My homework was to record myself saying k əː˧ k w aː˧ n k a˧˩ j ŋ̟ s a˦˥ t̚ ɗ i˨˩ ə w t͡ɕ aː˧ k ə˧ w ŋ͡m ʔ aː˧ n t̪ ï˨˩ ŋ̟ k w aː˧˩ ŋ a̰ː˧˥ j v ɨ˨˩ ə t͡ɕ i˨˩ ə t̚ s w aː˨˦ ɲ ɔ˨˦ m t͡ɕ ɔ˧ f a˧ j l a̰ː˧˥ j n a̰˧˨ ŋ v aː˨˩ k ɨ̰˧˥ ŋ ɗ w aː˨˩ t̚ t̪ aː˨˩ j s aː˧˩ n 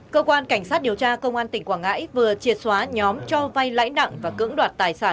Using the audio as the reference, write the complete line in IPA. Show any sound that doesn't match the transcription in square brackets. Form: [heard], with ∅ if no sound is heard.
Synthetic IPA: k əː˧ k w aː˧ n k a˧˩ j ŋ̟ s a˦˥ t̚ ɗ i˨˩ ə w t͡ɕ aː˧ k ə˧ w ŋ͡m ʔ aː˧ n t̪ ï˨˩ ŋ̟ k w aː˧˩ ŋ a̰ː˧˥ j v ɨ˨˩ ə t͡ɕ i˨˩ ə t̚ s w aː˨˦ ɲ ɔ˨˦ m t͡ɕ ɔ˧ [v] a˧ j l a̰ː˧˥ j n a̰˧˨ ŋ v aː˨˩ k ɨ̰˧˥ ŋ ɗ w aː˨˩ t̚ t̪ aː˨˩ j s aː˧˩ n